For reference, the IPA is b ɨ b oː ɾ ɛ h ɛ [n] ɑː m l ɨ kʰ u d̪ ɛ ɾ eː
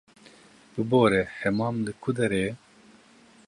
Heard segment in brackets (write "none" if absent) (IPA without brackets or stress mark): m